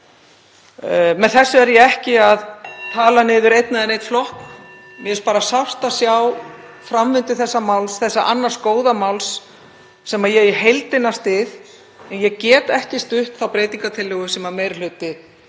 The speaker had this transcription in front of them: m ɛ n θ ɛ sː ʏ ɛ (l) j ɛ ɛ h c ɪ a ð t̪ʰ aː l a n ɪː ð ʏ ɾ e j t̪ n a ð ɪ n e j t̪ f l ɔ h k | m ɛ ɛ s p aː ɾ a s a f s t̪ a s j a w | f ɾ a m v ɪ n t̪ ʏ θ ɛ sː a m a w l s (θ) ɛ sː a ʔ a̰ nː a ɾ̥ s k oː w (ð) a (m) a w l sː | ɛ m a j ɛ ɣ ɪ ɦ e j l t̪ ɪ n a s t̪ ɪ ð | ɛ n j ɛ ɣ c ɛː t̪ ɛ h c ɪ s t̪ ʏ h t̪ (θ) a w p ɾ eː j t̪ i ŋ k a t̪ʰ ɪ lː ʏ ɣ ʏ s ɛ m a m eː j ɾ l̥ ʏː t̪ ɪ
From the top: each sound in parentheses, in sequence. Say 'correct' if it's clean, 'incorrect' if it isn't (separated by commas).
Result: incorrect, correct, correct, correct, correct